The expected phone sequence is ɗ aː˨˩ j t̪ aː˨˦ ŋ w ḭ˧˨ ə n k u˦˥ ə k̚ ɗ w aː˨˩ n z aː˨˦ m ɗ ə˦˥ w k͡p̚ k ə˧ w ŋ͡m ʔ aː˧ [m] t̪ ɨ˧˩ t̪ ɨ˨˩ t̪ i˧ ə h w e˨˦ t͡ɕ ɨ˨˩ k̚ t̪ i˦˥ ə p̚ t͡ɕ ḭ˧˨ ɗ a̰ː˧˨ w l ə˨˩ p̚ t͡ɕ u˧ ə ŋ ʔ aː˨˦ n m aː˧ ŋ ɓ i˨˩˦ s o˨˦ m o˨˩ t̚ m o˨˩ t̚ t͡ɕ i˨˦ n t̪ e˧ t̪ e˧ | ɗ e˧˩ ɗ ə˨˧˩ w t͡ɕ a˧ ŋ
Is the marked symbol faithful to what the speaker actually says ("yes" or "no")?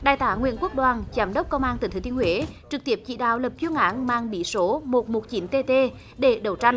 no